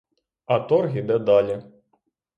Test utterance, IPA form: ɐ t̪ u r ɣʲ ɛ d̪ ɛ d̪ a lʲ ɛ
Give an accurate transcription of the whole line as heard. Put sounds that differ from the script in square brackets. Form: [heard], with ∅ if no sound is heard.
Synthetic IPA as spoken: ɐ t̪ [ɔ] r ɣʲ [i] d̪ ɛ d̪ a lʲ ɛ